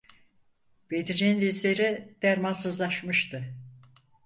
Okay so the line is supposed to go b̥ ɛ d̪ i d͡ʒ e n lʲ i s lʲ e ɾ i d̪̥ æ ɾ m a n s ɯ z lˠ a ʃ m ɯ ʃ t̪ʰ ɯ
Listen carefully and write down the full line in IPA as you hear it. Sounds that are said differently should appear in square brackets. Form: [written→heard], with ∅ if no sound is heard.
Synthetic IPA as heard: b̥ [ɛ→e] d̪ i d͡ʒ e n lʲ i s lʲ e ɾ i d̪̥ æ ɾ m a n s ɯ z lˠ a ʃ m ɯ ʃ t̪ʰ ɯ